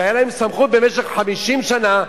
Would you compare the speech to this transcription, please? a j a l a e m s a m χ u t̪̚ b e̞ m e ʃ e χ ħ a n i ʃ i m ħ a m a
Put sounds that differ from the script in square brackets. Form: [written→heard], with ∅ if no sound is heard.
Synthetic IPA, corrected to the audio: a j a l a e m s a m χ u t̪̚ b e̞ m e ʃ e χ ħ a [n→m] i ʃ i m [ħ→ʃ] a [m→n] a